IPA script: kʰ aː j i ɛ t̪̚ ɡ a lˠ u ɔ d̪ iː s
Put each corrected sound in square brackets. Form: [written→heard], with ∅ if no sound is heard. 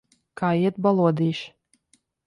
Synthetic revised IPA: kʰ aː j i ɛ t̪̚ [ɡ→b] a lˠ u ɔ d̪ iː [s→ʃ]

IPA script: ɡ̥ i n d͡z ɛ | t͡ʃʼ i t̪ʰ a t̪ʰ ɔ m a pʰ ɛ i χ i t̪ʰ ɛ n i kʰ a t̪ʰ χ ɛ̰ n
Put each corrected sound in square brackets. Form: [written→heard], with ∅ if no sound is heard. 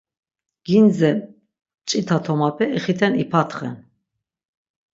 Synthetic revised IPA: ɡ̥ i n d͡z ɛ | t͡ʃʼ i t̪ʰ a t̪ʰ ɔ m a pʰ ɛ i χ i t̪ʰ ɛ n i [kʰ→pʰ] a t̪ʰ χ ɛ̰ n

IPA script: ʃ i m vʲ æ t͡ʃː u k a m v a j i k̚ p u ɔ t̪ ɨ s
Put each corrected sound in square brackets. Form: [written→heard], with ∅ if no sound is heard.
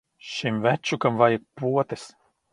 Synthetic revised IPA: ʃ i m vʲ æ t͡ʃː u k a m v a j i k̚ p u ɔ t̪ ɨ s

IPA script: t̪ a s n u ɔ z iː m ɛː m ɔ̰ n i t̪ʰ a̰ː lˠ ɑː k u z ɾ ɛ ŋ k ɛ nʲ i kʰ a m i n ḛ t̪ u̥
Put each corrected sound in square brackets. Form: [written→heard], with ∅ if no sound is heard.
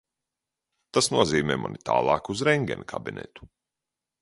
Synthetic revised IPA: t̪ a s n u ɔ z iː m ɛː m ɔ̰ n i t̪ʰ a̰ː lˠ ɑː k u z ɾ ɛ ŋ [k→ɡ] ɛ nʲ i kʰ a [m→b] i n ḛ t̪ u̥

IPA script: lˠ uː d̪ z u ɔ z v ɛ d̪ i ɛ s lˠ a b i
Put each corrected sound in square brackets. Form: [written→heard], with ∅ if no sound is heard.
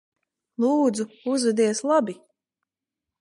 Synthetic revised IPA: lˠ uː d̪ z u [ɔ→u] z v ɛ d̪ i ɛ s lˠ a b i

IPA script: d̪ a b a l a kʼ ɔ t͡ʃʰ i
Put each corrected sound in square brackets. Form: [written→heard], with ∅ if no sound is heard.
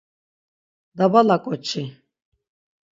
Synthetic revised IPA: d̪ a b a l a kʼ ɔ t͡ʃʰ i

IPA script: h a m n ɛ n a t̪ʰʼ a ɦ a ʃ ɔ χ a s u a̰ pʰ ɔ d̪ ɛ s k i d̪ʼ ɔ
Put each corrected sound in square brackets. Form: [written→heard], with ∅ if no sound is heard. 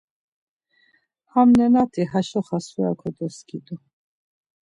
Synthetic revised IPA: h a m n ɛ n a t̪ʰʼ [a→i] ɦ a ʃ ɔ χ a s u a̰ [pʰ→kʰ] ɔ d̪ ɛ s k i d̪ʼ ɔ

